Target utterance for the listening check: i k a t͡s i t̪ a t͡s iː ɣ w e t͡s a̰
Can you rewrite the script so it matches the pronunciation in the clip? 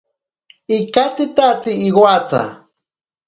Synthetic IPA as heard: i k a t͡s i t̪ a t͡s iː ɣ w a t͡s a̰